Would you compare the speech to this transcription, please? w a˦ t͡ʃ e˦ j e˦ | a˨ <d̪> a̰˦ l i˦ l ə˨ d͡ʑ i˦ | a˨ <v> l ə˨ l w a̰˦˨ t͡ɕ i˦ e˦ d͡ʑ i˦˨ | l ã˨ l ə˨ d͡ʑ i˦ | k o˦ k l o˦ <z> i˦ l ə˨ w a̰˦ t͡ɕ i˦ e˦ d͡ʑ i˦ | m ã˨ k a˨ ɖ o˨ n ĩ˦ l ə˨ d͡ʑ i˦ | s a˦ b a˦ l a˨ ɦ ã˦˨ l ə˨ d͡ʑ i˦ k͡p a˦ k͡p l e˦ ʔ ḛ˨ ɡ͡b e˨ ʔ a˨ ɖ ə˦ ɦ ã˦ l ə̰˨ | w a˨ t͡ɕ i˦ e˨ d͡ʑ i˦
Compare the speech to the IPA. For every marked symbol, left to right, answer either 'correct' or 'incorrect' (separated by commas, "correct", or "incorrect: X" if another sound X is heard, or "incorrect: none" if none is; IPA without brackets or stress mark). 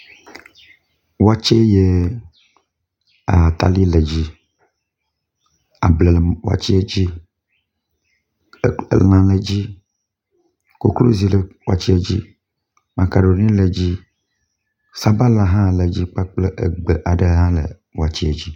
incorrect: t̪, incorrect: b, correct